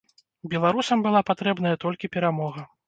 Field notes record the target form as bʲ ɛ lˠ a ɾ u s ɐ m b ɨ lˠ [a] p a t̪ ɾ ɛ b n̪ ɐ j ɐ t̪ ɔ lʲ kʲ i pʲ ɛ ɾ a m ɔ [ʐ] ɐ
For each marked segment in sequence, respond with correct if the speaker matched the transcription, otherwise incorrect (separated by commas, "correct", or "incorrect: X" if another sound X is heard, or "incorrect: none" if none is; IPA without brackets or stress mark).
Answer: correct, incorrect: ɣ